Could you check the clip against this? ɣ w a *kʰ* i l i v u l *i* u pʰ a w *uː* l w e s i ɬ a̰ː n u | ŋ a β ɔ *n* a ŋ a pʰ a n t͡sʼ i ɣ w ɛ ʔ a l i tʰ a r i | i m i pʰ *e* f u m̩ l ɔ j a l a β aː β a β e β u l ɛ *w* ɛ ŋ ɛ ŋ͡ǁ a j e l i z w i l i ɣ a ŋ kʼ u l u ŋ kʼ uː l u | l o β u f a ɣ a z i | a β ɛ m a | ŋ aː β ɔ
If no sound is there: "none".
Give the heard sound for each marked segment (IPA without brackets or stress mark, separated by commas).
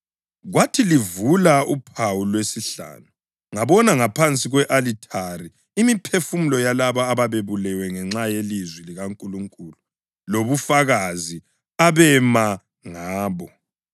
tʰ, a, u, n, e, w